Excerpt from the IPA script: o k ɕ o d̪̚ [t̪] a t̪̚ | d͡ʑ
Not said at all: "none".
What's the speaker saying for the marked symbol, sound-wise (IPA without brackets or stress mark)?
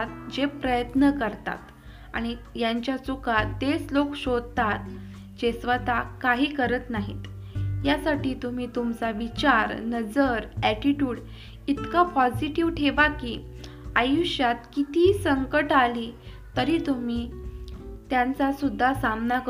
t̪